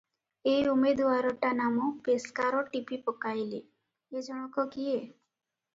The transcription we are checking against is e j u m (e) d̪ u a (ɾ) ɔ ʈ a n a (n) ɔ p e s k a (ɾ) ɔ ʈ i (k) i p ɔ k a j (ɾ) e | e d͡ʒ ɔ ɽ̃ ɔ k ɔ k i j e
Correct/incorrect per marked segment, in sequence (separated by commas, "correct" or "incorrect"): correct, correct, incorrect, correct, incorrect, incorrect